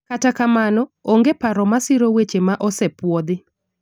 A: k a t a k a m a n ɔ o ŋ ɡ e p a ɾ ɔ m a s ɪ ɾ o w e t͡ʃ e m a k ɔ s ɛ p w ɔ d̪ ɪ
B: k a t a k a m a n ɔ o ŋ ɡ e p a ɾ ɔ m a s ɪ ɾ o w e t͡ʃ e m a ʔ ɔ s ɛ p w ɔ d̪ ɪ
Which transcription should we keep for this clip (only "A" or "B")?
B